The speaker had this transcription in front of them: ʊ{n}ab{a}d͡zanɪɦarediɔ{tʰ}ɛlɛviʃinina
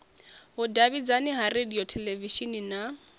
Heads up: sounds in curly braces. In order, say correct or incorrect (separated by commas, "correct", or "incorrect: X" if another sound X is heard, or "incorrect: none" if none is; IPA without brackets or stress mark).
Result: incorrect: d, incorrect: i, correct